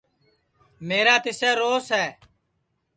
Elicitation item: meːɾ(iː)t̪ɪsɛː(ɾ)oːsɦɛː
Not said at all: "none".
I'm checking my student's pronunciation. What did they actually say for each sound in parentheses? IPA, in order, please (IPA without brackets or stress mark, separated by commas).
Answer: aː, ɾ